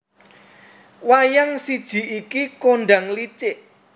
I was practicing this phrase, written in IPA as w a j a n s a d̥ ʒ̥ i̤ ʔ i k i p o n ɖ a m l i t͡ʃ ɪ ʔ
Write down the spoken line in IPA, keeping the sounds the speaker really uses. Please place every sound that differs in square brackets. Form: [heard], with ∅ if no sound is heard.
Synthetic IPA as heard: w a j a [ŋ] s [i] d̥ ʒ̥ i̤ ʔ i k i [k] o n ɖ a [ŋ] l i t͡ʃ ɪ ʔ